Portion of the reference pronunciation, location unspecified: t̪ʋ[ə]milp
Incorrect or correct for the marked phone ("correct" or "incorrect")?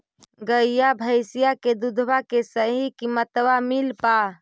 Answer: incorrect